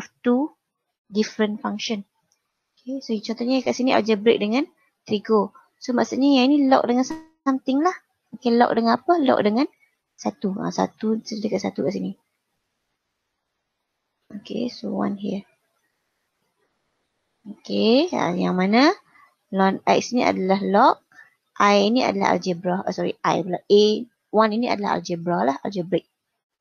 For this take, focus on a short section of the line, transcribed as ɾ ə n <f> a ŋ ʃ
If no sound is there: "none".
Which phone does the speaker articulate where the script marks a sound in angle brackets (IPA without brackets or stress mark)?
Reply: f